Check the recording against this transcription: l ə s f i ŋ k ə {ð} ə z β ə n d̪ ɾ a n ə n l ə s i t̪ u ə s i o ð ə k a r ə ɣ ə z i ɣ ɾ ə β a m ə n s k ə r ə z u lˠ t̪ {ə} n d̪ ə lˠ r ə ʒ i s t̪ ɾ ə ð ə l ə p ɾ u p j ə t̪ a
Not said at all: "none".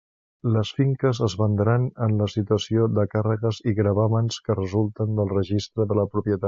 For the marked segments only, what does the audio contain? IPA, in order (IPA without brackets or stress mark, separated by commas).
z, ə